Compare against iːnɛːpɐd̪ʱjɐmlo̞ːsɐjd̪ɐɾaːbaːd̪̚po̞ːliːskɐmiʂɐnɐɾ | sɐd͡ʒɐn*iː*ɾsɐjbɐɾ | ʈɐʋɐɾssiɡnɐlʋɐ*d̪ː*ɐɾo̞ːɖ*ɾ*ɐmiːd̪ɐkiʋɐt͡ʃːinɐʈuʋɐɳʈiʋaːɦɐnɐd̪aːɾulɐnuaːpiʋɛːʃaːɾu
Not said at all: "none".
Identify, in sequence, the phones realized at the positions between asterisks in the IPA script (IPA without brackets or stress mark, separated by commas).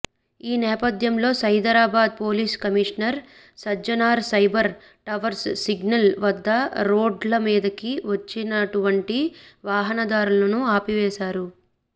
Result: aː, d̪ː, l